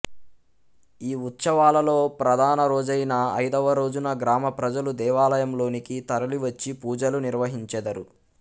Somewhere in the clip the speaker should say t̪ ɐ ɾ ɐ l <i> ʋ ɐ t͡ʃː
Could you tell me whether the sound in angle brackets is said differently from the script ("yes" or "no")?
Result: no